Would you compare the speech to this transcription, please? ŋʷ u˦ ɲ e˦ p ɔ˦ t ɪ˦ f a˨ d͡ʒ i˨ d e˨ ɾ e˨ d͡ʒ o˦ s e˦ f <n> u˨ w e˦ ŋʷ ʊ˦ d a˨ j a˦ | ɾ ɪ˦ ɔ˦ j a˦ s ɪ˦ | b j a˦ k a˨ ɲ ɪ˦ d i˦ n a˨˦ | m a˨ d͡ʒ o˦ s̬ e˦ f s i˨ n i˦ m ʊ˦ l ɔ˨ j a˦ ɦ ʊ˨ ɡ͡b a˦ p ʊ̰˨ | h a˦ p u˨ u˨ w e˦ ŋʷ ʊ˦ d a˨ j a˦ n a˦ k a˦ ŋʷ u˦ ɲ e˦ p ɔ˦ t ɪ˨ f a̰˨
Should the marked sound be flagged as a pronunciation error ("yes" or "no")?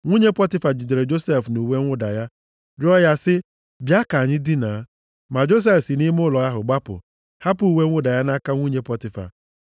no